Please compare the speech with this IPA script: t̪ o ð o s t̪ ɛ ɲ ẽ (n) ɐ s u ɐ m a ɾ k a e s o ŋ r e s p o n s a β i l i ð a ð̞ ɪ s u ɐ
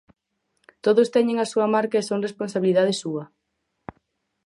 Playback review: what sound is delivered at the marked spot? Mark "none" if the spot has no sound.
ŋ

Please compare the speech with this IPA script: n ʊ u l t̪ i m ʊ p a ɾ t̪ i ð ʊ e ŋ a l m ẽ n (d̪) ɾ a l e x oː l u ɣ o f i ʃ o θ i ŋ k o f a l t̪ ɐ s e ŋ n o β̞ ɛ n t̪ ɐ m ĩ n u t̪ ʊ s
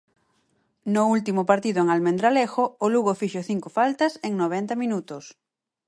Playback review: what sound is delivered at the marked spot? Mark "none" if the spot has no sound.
d̪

